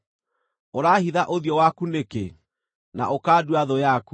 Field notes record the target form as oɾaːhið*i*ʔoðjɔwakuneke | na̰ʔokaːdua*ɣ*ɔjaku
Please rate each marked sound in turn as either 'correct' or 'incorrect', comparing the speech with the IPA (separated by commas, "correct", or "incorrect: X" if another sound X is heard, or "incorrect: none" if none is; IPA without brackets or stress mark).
incorrect: a, incorrect: ð